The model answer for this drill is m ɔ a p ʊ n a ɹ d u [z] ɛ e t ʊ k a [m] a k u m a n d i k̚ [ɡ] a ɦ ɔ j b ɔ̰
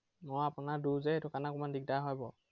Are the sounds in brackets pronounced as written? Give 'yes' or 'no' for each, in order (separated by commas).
yes, no, no